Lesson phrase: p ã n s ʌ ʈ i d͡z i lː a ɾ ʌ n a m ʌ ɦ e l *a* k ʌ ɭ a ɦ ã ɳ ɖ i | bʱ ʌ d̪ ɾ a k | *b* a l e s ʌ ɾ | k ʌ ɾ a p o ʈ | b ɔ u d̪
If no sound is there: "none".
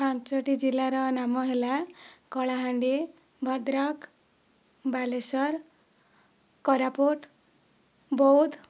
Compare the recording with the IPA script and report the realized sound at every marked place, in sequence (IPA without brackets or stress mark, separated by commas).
a, b